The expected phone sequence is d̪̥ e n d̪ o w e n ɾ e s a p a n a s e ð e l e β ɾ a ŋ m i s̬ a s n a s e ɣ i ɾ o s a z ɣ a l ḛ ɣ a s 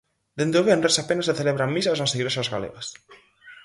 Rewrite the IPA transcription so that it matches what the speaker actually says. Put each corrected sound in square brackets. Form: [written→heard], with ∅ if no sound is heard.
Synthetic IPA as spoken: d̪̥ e n d̪ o [w→β] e n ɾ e s a p [a→e] n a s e [ð→θ] e l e β ɾ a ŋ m i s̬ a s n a s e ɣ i ɾ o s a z ɣ a l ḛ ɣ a s